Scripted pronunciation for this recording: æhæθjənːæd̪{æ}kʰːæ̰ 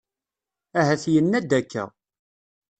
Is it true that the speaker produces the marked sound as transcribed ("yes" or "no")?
yes